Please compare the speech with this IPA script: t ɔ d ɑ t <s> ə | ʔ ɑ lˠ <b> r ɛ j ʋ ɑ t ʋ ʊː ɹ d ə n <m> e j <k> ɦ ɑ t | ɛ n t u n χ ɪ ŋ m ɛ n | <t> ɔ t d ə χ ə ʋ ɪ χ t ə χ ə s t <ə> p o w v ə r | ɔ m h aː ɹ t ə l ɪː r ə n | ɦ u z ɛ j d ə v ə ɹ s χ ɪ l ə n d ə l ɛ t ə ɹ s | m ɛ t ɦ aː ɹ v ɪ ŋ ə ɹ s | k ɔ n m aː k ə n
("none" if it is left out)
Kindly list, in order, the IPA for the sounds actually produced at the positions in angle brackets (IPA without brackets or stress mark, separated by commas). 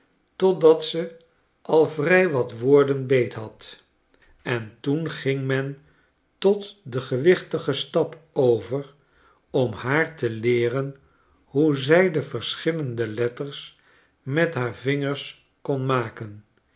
s, v, b, t, t, ɑ